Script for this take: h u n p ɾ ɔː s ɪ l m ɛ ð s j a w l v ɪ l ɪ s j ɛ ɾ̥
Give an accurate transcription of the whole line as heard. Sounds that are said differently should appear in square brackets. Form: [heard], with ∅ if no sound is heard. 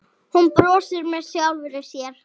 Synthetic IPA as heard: h u n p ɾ ɔː s ɪ [ɾ] m ɛ ð s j a w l v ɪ [ɾ] ɪ s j ɛ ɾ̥